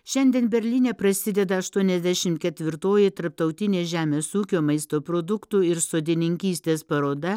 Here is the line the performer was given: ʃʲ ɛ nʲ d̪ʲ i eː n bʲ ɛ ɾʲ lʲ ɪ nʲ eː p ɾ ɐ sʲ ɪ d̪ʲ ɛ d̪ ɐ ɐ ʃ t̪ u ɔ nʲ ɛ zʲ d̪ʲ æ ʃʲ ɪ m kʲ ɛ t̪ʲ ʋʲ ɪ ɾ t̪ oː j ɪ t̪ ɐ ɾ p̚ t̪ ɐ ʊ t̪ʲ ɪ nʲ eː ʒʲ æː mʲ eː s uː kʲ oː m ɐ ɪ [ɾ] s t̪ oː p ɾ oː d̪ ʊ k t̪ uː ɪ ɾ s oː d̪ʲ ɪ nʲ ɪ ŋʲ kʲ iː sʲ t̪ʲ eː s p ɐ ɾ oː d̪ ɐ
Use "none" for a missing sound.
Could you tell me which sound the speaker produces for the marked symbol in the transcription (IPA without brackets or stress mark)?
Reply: none